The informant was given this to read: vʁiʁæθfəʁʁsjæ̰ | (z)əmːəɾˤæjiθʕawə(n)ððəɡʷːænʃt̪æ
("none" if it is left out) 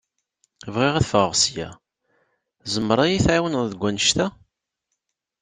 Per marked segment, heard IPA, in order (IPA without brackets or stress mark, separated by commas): z, n